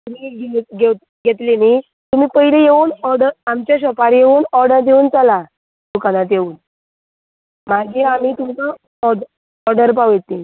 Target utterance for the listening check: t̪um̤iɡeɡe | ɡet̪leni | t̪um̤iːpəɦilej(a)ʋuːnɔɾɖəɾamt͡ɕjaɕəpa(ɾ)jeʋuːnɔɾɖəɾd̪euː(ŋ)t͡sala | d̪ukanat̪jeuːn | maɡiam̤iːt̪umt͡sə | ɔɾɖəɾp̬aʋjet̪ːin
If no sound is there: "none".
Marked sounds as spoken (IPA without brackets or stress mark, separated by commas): e, ɾ, n